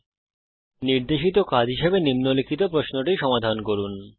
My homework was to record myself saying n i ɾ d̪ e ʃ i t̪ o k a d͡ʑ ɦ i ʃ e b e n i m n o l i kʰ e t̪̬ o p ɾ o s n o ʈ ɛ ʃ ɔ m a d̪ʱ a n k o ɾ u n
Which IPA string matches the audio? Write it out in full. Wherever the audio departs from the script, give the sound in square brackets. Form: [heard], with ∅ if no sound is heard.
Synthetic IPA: n i ɾ d̪ e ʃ i t̪ o k a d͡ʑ ɦ i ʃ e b e n i m n o l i kʰ [i] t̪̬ o p ɾ o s n o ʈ [i] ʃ ɔ m a d̪ʱ a n k o ɾ u n